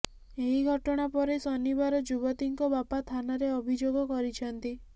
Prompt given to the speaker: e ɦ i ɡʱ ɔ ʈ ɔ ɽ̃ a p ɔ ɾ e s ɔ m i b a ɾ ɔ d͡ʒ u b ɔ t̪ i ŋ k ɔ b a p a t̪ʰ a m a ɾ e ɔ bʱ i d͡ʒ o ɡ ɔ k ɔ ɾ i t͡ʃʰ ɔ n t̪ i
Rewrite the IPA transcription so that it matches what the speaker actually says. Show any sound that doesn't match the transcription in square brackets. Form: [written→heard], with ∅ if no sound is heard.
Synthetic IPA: e ɦ i ɡʱ ɔ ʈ ɔ ɽ̃ a p ɔ ɾ e s ɔ [m→n] i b a ɾ ɔ d͡ʒ u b ɔ t̪ i ŋ k ɔ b a p a t̪ʰ a [m→n] a ɾ e ɔ bʱ i d͡ʒ o ɡ ɔ k ɔ ɾ i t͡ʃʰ ɔ n t̪ i

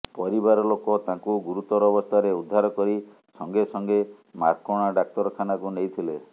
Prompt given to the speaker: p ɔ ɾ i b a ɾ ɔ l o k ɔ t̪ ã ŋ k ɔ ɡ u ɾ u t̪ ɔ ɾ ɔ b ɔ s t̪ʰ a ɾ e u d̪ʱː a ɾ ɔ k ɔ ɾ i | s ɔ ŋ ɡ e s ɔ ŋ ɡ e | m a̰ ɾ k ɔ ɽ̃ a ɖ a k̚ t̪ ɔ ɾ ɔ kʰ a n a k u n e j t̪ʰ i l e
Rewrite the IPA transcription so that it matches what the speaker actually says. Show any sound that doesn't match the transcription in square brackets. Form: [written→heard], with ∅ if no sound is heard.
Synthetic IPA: p ɔ ɾ i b a ɾ ɔ l o k ɔ t̪ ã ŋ k [ɔ→u] ɡ u ɾ u t̪ ɔ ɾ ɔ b ɔ s t̪ʰ a ɾ e u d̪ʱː a ɾ ɔ k ɔ ɾ i | s ɔ ŋ ɡ e s ɔ ŋ ɡ e | m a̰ ɾ k ɔ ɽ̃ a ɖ a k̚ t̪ ɔ ɾ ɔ kʰ a n a k u n e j t̪ʰ i l e

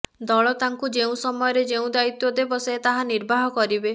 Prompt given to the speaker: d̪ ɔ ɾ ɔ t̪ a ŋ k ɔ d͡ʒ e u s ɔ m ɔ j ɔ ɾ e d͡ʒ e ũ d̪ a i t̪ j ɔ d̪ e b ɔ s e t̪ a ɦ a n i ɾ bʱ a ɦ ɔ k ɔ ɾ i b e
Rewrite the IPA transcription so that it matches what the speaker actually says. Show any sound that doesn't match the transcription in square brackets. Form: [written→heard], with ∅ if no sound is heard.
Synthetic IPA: d̪ ɔ [ɾ→ɭ] ɔ t̪ a ŋ k [ɔ→u] d͡ʒ e [u→ũ] s ɔ m ɔ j ɔ ɾ e d͡ʒ e ũ d̪ a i t̪ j ɔ d̪ e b ɔ s e t̪ a ɦ a n i ɾ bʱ a ɦ ɔ k ɔ ɾ i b e

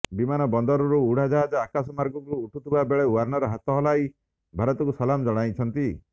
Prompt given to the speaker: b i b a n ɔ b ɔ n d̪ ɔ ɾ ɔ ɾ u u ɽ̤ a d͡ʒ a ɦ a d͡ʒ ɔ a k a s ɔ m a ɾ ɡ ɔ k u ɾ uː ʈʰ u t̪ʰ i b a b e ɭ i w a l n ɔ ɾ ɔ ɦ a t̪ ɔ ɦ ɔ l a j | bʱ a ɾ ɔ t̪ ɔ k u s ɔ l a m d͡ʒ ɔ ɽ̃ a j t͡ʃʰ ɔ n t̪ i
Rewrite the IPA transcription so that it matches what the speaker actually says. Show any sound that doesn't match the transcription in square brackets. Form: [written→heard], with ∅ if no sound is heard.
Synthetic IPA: b i [b→m] a n ɔ b ɔ n d̪ ɔ ɾ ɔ ɾ u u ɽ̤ a d͡ʒ a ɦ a d͡ʒ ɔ a k a s ɔ m a ɾ ɡ ɔ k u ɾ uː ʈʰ u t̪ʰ i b a b e ɭ [i→e] w a [l→ɾ] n ɔ ɾ ɔ ɦ a t̪ ɔ ɦ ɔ l a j | bʱ a ɾ ɔ t̪ ɔ k u s ɔ l a m d͡ʒ ɔ ɽ̃ a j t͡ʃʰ ɔ n t̪ i

